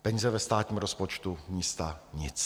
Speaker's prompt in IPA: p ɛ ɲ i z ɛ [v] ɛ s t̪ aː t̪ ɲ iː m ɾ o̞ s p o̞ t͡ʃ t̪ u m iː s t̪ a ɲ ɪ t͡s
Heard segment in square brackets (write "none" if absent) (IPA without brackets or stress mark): v